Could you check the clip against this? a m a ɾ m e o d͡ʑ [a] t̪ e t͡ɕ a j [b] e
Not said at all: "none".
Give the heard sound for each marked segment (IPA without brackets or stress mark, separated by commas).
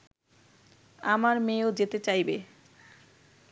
e, b